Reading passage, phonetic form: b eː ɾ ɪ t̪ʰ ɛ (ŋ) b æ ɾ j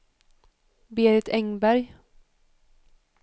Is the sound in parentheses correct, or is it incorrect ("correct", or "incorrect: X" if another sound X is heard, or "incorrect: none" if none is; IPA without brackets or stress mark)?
correct